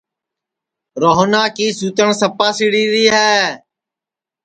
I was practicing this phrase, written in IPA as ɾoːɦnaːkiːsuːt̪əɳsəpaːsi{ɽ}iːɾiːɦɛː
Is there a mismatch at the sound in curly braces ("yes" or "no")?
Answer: no